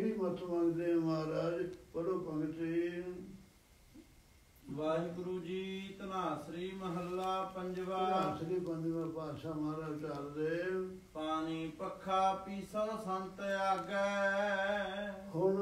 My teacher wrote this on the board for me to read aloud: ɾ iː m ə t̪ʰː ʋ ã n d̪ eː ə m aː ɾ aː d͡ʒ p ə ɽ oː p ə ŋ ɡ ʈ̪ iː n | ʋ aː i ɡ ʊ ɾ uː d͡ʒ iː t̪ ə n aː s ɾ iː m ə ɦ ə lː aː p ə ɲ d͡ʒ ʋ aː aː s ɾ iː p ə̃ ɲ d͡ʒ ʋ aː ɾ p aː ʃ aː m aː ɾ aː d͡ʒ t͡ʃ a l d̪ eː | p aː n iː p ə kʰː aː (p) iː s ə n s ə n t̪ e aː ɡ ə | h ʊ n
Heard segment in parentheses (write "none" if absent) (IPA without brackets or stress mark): p